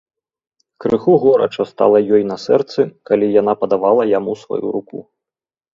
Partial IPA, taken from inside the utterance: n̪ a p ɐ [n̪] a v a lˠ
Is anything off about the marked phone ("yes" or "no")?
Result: yes